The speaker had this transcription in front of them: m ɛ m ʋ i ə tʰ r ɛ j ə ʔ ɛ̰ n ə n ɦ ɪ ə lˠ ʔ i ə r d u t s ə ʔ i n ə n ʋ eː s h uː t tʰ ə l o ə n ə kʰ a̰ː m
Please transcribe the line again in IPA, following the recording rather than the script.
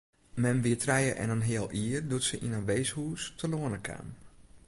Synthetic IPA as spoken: m ɛ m ʋ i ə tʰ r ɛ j ə ʔ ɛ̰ n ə n ɦ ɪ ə lˠ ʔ i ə r d u t s ə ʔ i n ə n ʋ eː s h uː s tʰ ə l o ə n ə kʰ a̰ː m